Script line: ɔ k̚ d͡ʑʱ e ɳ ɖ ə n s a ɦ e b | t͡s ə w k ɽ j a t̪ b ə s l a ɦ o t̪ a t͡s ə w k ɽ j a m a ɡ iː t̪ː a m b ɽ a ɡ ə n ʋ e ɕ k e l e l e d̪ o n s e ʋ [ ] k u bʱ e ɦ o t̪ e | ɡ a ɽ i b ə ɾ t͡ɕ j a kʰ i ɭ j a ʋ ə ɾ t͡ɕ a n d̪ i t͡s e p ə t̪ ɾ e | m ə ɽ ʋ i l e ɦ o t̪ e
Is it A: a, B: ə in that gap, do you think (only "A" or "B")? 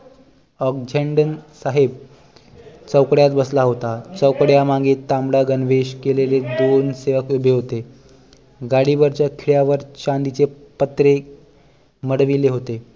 B